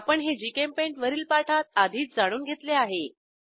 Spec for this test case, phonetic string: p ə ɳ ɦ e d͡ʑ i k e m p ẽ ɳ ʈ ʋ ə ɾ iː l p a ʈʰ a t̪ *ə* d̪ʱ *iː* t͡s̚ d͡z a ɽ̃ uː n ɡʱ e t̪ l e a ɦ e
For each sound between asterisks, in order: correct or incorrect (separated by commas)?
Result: incorrect, correct